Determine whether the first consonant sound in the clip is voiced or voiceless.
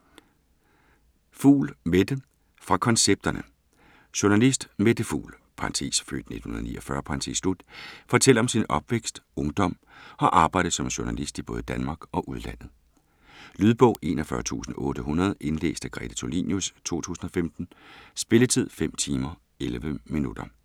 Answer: voiceless